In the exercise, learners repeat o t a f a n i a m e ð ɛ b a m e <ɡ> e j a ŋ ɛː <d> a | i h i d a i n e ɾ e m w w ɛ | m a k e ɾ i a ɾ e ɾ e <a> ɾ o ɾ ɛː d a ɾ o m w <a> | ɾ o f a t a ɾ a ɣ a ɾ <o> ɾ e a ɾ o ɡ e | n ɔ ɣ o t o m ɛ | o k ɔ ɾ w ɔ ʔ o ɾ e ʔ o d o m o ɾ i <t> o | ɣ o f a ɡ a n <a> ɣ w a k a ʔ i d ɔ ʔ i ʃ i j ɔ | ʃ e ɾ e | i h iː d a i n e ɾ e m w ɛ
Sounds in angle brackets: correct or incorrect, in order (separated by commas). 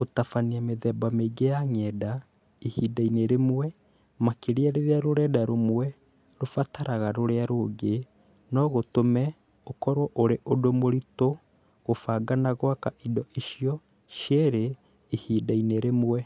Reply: correct, correct, correct, incorrect, correct, correct, correct